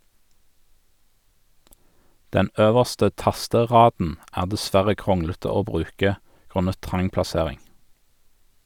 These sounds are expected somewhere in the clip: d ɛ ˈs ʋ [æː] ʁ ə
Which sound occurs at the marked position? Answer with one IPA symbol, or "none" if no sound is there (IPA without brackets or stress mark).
æ